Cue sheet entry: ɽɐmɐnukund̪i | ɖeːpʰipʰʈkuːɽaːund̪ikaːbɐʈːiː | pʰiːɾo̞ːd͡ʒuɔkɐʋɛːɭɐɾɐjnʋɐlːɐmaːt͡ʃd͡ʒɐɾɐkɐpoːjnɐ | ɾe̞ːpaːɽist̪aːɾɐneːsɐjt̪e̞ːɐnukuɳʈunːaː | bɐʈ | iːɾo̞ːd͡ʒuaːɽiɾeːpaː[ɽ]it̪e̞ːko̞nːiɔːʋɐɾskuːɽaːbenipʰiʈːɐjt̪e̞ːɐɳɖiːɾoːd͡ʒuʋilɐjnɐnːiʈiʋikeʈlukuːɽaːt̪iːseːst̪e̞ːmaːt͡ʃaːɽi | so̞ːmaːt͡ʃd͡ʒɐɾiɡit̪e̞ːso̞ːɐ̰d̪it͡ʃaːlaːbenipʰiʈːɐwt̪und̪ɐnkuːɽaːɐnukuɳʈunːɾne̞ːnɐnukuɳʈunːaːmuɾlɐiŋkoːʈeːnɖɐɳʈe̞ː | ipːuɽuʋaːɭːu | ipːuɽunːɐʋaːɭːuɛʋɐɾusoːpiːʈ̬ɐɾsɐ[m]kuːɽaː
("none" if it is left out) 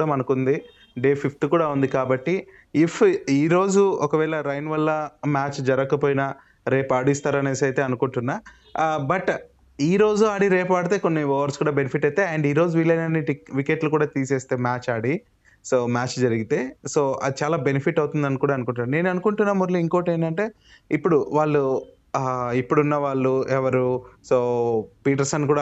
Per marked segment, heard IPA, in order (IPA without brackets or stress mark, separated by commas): ɽ, n